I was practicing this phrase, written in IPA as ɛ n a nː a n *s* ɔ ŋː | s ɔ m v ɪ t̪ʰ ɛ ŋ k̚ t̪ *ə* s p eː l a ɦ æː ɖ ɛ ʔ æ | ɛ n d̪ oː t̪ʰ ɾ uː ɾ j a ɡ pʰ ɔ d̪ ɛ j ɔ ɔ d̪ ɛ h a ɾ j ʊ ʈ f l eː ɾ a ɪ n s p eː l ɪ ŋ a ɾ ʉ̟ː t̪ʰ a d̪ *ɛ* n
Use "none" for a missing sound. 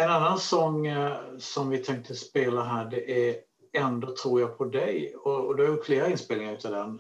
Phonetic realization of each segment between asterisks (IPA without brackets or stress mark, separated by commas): s, ə, ɛ